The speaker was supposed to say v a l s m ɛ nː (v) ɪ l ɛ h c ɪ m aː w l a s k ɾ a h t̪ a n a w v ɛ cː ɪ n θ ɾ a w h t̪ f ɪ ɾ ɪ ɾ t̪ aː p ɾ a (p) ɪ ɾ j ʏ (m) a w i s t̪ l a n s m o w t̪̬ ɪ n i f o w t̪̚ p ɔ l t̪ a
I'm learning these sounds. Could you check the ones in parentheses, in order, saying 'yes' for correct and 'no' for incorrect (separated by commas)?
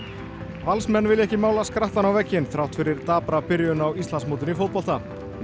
yes, yes, no